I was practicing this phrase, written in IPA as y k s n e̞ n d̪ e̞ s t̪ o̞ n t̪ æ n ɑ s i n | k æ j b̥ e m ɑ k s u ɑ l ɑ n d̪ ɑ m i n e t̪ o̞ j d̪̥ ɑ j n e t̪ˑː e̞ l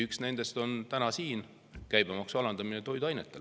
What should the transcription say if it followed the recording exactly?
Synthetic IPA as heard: y k s n e̞ n d̪ e̞ s t̪ o̞ n t̪ æ n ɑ s iː n | k æ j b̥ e m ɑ k s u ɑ l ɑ n d̪ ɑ m i n e t̪ o̞ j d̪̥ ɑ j n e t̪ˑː e̞ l